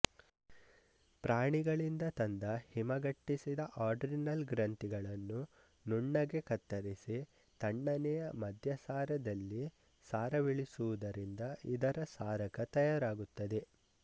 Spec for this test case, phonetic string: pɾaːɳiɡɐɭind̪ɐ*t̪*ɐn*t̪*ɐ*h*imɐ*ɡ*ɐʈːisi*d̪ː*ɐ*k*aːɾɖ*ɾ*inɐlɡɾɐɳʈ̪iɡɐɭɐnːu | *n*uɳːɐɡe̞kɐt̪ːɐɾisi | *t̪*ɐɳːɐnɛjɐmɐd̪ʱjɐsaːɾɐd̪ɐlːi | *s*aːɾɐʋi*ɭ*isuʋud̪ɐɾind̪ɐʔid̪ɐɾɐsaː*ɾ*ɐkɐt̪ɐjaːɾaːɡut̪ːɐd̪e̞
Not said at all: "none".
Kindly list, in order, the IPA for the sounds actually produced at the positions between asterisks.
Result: t̪, d̪, h, ɡ, d̪, ʔ, ɾ, n, t̪, s, ɭ, ɾ

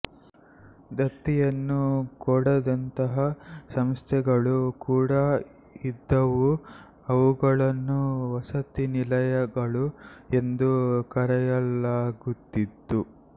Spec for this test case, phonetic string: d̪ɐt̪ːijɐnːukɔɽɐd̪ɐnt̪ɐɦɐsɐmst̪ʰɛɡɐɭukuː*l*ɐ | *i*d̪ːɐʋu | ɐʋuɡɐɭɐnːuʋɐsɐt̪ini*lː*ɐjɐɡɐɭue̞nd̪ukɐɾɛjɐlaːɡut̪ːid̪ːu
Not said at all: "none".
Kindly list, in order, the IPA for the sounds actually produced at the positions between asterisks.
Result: ɽ, i, l

